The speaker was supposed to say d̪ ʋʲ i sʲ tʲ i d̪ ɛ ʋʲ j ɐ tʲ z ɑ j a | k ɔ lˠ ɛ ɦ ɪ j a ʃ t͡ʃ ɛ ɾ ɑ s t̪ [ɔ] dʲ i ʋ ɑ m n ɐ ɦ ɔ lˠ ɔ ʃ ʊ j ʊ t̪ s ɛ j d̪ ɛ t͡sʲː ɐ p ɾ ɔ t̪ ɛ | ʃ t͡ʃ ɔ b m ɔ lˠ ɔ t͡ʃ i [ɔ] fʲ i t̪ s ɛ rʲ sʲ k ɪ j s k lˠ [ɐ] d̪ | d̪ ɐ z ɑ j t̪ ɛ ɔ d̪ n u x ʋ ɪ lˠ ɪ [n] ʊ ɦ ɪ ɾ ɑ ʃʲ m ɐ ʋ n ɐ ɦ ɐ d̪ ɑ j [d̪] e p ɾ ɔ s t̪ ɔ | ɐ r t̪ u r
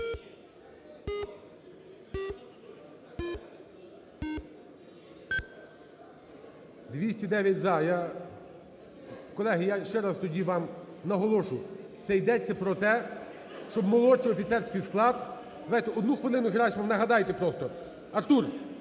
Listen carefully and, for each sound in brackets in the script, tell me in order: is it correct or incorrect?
correct, correct, incorrect: ɑ, correct, incorrect: t̪

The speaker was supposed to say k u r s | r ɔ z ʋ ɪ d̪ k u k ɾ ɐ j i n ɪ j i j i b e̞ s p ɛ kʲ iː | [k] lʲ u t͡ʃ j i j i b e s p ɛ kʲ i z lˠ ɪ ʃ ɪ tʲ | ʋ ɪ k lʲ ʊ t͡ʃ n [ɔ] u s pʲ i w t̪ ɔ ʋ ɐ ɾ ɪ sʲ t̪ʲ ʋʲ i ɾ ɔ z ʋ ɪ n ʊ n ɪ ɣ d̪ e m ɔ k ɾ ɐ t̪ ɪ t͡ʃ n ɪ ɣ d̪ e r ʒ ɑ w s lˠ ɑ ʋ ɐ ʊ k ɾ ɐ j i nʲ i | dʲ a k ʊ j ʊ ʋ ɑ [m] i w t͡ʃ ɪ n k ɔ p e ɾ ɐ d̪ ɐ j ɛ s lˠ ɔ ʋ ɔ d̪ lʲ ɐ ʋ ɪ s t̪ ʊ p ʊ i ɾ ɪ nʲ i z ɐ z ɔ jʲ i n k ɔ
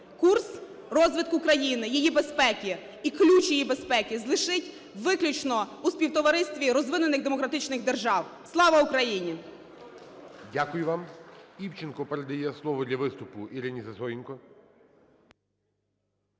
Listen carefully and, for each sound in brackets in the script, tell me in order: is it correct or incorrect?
correct, correct, correct

